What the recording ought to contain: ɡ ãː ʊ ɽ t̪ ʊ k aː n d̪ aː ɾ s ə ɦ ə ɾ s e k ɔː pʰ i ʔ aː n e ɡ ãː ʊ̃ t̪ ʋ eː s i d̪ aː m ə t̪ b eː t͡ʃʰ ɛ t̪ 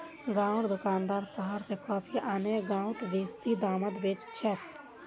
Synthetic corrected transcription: ɡ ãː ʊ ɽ d̪ ʊ k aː n d̪ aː ɾ s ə ɦ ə ɾ s e k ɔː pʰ i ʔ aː n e ɡ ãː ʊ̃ t̪ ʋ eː s i d̪ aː m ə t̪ b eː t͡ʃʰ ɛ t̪